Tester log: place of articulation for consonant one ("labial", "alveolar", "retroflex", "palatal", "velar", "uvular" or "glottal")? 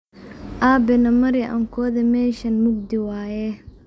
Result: glottal